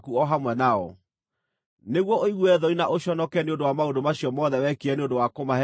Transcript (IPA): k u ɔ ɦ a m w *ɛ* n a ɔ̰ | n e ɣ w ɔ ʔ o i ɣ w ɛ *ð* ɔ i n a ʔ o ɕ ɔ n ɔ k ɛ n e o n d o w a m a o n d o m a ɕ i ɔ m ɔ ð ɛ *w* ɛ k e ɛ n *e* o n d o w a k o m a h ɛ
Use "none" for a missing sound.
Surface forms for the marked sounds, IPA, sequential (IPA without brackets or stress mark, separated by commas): ɛ, ð, w, e